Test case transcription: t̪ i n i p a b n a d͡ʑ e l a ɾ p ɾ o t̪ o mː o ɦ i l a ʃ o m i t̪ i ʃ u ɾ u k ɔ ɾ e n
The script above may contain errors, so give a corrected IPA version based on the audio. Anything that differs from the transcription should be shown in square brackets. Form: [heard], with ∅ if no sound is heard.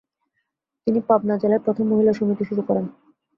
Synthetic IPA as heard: t̪ i n i p a b n a d͡ʑ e l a ɾ p ɾ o [t̪ʰ] o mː o ɦ i l a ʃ o m i t̪ i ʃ u ɾ u k ɔ ɾ e n